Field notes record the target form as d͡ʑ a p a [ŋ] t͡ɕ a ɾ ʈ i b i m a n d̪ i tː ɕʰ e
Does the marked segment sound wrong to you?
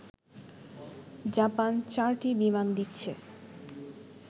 yes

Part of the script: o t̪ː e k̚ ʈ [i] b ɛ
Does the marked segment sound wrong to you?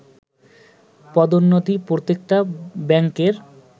yes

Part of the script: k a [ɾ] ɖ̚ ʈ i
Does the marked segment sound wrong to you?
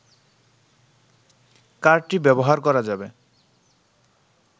no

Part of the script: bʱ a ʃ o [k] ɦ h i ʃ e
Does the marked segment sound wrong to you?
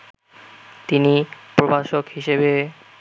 no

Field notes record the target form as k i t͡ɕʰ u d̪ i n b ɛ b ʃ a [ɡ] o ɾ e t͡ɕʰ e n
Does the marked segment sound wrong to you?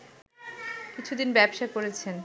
yes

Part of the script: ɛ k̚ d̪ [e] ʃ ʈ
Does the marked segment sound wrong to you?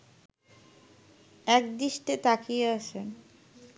yes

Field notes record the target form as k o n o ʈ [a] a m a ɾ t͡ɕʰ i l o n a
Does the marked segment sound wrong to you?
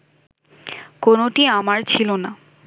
yes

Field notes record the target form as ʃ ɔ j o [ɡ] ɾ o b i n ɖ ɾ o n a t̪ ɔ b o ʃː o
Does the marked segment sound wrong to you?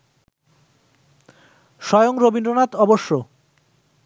yes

